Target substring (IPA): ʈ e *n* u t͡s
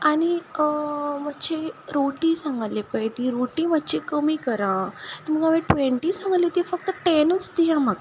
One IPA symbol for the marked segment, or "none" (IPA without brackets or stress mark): n